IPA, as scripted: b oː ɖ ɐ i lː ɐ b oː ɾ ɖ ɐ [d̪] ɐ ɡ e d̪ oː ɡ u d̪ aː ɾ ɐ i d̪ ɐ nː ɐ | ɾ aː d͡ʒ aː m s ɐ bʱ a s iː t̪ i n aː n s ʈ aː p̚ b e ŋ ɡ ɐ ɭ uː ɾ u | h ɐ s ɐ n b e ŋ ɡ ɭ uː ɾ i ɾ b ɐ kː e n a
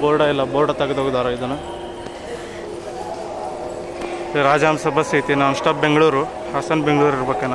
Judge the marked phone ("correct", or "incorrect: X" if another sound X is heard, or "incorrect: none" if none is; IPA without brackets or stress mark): incorrect: t̪